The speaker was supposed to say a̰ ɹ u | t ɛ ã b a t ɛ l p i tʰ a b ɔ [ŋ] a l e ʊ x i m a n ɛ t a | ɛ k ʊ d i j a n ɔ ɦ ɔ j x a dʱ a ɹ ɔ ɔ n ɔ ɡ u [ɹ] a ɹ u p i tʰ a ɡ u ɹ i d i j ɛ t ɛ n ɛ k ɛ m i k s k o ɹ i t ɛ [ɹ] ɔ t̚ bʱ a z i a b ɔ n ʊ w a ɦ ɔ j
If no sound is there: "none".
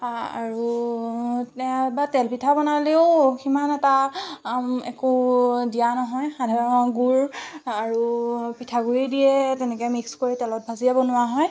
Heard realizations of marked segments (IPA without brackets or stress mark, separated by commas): n, ɹ, l